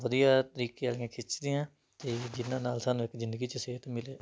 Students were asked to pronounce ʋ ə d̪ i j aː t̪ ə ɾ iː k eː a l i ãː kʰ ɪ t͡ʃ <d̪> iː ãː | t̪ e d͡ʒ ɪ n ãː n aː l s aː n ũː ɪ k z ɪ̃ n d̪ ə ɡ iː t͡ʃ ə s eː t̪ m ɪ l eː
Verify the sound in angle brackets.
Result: correct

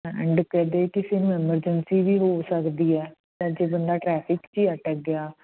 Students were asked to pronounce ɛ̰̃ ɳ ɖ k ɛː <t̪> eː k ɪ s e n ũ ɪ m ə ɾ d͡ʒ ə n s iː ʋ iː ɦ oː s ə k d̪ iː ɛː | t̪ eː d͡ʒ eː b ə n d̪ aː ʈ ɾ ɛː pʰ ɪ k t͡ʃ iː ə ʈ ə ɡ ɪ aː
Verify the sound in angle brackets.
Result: incorrect: d̪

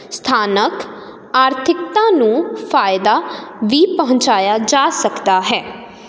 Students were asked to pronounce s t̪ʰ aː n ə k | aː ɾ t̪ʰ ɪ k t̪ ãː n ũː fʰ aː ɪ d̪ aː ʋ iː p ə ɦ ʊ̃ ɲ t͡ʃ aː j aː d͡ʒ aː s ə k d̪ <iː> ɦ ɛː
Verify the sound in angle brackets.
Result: incorrect: aː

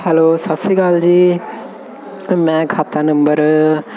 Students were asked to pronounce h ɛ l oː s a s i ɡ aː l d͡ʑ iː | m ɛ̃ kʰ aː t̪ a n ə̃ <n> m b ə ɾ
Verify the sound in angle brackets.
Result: incorrect: none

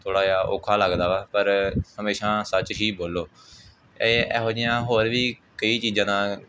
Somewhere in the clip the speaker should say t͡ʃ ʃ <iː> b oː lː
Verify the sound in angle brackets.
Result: correct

